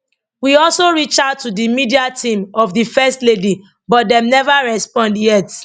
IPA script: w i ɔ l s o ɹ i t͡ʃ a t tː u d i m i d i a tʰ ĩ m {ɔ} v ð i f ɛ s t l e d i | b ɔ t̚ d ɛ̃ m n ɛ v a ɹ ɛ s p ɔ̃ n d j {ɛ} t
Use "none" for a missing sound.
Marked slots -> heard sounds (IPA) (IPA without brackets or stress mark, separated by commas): ɔ, ɛ